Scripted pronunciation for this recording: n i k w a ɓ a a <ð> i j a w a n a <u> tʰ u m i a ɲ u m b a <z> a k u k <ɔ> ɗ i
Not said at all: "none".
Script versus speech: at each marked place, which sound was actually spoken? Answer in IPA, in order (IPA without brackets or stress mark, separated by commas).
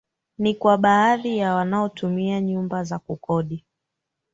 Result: ð, ɔ, z, ɔ